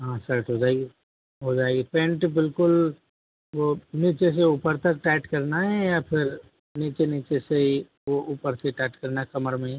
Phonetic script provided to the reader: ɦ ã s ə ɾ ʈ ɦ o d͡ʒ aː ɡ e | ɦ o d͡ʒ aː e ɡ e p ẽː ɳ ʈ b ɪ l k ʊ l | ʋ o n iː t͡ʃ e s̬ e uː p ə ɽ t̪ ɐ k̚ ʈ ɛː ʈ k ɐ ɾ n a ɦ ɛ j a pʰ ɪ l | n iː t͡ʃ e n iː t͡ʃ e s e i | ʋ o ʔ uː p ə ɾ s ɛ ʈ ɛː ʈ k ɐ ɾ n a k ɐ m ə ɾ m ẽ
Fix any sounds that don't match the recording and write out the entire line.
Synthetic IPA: ɦ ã s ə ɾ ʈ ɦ o d͡ʒ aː ɡ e | ɦ o d͡ʒ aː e ɡ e p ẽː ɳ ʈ b ɪ l k ʊ l | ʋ o n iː t͡ʃ e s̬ e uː p ə ɾ t̪ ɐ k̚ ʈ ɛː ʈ k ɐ ɾ n a ɦ ɛ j a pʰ ɪ ɾ | n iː t͡ʃ e n iː t͡ʃ e s e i | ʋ o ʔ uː p ə ɾ s e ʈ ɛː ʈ k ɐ ɾ n a k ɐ m ə ɾ m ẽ